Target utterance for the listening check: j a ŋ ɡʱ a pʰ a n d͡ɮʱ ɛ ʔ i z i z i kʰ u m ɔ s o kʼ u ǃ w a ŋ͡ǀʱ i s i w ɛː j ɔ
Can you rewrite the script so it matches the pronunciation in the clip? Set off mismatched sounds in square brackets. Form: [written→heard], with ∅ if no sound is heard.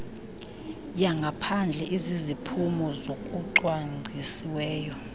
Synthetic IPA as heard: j a ŋ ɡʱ a pʰ a n d͡ɮʱ ɛ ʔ i z i z i [kʰ→pʰ] u m ɔ [s→z] o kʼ u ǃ w a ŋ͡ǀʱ i s i w ɛː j ɔ